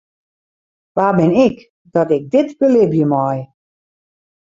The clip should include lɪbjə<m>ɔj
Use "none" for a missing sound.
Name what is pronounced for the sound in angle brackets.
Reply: m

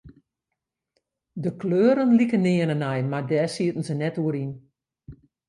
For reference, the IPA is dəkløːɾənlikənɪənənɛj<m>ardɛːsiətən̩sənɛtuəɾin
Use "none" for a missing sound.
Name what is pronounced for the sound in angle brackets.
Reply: m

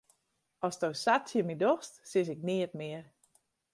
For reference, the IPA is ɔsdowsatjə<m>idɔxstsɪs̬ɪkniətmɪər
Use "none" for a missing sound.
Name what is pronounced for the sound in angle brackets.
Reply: m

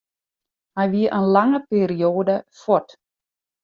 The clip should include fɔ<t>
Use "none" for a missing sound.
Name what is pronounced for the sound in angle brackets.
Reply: t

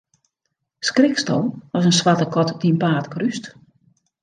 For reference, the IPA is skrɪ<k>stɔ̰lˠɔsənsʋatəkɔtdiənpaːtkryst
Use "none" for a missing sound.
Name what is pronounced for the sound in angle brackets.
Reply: k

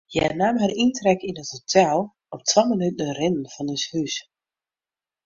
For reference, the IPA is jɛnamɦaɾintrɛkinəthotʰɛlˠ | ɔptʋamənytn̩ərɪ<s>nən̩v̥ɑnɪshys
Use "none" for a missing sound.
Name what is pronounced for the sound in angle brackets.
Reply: none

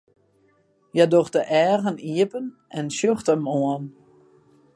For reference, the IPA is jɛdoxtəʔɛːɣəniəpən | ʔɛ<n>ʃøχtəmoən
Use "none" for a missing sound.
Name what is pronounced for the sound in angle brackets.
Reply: n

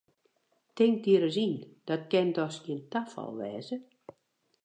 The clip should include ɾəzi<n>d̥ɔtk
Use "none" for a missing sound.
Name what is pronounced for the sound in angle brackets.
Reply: n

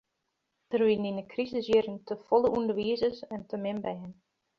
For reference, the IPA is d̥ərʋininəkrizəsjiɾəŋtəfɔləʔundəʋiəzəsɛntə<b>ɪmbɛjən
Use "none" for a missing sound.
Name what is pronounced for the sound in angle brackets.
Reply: m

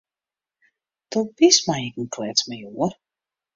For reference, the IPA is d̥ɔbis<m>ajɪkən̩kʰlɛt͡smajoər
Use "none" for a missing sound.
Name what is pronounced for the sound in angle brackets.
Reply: m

